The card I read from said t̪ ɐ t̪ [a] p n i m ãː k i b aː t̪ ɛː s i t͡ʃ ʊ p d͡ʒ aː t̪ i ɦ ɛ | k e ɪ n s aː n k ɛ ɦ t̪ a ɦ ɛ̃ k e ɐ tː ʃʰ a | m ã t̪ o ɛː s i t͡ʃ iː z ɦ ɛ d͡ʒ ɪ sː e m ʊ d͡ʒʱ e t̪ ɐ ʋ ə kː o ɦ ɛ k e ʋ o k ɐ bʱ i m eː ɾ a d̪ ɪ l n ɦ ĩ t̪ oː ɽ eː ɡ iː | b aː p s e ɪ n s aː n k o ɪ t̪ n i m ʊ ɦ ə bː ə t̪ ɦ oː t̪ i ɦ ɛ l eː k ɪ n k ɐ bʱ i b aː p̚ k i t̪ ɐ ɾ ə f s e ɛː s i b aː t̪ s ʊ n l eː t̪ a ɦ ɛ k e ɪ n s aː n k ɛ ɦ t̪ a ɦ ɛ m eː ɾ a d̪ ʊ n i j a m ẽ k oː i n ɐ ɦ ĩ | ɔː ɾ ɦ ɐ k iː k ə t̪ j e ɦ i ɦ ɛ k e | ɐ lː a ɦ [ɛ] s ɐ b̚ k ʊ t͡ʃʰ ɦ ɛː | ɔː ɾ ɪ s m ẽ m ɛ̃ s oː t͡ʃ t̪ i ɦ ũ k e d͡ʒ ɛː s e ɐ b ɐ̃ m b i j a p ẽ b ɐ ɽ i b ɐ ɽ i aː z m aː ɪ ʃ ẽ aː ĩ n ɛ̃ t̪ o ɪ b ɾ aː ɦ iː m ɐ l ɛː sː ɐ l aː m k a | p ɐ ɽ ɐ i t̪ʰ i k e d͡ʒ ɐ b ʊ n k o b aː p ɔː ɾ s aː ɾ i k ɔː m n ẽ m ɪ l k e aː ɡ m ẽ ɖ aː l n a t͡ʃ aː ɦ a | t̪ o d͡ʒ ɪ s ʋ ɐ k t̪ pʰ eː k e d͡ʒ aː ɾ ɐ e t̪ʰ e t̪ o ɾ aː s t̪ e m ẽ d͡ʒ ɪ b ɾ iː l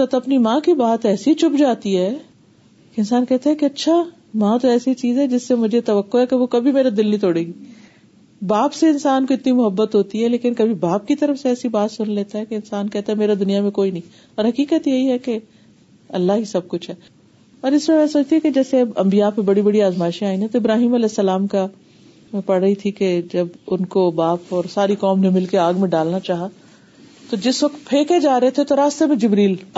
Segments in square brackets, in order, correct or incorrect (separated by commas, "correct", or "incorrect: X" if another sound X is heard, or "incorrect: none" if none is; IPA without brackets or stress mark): incorrect: ɐ, incorrect: i